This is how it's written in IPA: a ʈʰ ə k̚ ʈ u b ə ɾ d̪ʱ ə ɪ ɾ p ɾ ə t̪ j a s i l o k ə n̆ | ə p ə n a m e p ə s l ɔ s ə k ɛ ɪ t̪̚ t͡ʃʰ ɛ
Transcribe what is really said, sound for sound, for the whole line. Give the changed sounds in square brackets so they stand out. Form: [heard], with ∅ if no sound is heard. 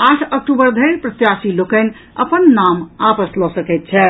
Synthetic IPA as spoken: a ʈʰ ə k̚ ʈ u b ə ɾ d̪ʱ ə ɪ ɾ p ɾ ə t̪ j a s i l o k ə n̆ | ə p ə [nː] a m [a] p ə s l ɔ s ə k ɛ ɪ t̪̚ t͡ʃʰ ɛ